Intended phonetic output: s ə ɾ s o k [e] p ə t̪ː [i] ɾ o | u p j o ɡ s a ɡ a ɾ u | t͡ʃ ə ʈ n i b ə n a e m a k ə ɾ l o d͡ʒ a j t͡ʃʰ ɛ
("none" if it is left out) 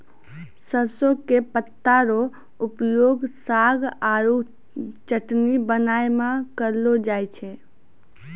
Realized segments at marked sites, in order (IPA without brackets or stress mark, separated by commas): e, a